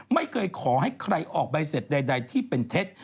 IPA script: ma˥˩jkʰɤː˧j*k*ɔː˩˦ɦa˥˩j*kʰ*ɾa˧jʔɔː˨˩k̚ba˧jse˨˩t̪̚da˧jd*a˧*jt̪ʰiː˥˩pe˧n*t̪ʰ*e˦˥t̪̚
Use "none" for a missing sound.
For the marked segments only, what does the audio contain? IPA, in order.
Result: kʰ, kʰ, a˧, t̪ʰ

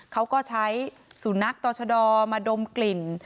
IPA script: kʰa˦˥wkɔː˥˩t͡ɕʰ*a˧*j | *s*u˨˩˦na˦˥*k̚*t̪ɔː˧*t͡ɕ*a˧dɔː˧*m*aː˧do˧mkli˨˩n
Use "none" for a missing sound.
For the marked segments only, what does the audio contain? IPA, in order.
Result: a˦˥, s, k̚, t͡ɕʰ, m

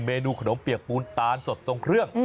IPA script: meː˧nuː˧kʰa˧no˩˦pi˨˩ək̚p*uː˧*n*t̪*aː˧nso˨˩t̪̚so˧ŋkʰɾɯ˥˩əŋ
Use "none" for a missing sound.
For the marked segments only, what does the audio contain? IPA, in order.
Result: uː˧, t̪

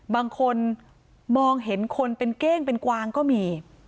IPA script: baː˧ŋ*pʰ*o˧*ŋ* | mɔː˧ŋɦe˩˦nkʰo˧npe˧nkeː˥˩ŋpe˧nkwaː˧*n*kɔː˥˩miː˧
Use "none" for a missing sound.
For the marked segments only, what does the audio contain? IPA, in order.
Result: kʰ, n, ŋ

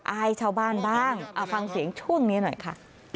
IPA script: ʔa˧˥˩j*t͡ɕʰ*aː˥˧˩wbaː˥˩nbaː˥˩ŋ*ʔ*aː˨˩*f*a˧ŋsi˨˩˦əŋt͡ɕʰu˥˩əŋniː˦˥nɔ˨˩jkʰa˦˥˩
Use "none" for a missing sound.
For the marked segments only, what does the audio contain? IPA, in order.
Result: t͡ɕʰ, ʔ, f

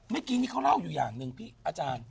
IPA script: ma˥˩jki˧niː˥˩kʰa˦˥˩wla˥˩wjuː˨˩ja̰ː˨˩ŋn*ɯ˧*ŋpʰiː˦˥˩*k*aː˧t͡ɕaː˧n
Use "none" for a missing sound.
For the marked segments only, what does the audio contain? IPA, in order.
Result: ɯ˧, ʔ

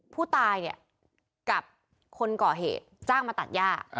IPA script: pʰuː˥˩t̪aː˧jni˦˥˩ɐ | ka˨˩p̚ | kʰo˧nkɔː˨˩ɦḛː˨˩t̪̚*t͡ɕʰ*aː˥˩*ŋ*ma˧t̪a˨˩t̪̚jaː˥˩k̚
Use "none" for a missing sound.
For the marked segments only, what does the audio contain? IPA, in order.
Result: t͡ɕ, ŋ

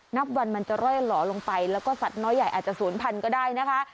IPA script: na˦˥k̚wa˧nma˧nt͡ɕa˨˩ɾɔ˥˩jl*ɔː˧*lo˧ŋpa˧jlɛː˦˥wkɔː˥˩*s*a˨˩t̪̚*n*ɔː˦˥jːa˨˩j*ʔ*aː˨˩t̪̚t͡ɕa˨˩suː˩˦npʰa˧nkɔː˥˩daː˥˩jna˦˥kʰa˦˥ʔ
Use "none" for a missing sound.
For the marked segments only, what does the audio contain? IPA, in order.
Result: ɔː˩˦, s, n, ʔ

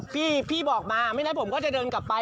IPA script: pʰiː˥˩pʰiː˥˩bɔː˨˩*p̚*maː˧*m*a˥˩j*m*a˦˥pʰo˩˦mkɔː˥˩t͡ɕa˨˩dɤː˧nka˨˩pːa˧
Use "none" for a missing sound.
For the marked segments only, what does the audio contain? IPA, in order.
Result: k̚, m, n

